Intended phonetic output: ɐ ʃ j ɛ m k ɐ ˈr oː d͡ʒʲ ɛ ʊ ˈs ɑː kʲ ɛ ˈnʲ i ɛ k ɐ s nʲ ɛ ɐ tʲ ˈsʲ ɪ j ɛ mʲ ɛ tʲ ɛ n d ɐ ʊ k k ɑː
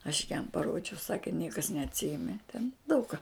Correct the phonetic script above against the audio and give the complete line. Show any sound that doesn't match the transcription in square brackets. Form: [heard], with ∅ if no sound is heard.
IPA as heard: ɐ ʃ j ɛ m [p] ɐ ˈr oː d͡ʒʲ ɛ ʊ ˈs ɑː kʲ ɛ ˈnʲ i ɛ k ɐ s nʲ ɛ ɐ tʲ ˈsʲ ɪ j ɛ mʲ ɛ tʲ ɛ n d ɐ ʊ k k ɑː

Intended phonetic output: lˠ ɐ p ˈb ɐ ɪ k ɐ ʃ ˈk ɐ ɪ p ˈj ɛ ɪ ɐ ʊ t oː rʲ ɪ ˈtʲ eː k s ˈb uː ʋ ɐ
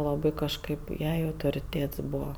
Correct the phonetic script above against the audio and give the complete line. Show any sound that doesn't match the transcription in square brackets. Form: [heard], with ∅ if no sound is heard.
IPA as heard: lˠ ɐ [∅] ˈb ɐ ɪ k ɐ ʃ ˈk ɐ ɪ p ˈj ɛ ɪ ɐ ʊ t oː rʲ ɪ ˈtʲ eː [t] s ˈb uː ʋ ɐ

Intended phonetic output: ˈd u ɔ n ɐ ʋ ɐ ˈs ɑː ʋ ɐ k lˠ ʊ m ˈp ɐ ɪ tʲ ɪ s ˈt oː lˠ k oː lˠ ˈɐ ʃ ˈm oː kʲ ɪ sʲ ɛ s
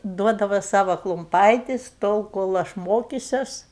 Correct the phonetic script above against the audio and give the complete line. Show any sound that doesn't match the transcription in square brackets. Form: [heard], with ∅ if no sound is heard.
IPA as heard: ˈd u ɔ [d] ɐ ʋ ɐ ˈs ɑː ʋ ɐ k lˠ ʊ m ˈp ɐ ɪ tʲ ɪ s ˈt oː lˠ k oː lˠ ˈɐ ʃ ˈm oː kʲ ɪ sʲ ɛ s

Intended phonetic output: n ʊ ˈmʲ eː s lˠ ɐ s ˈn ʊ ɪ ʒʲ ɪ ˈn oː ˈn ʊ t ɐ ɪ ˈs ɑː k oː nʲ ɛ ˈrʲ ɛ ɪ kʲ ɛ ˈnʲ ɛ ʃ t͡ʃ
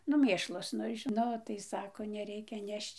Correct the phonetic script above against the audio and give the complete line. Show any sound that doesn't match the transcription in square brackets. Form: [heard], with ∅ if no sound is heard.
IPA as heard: n ʊ ˈmʲ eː [ʃ] lˠ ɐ s ˈn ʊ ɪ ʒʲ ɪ ˈn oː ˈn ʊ t ɐ ɪ ˈs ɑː k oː nʲ ɛ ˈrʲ ɛ ɪ kʲ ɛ ˈnʲ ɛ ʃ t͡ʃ

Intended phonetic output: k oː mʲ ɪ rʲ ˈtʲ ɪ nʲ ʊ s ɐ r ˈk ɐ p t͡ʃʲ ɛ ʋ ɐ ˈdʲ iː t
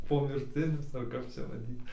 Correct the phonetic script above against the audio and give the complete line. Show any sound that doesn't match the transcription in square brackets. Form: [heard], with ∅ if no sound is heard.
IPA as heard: [p] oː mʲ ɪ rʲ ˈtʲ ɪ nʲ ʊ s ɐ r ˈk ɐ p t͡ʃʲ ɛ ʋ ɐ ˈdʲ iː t

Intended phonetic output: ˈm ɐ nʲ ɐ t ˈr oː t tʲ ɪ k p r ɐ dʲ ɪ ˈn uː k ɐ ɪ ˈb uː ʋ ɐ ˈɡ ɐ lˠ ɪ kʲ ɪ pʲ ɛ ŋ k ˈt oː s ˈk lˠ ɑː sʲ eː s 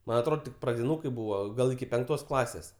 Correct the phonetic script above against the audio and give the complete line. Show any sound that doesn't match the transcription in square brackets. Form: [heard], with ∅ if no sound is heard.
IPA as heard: ˈm ɐ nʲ ɐ t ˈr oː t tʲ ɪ k p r ɐ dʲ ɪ ˈn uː k ɐ ɪ ˈb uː ʋ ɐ ˈɡ ɐ lˠ ɪ kʲ ɪ pʲ ɛ ŋ k ˈt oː s ˈk lˠ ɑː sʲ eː s

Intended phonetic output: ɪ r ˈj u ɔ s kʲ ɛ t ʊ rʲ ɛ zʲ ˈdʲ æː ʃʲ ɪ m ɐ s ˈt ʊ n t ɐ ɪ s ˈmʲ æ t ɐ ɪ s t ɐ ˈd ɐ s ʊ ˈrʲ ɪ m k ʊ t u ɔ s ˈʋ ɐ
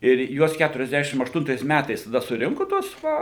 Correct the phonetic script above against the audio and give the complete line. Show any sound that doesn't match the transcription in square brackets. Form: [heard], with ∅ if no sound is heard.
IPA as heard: ɪ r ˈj u ɔ s kʲ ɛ t ʊ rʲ ɛ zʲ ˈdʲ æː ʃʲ ɪ m ɐ [ʃ] ˈt ʊ n t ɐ ɪ s ˈmʲ æ t ɐ ɪ s t ɐ ˈd ɐ s ʊ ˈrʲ ɪ [ŋ] k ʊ t u ɔ s ˈʋ ɐ

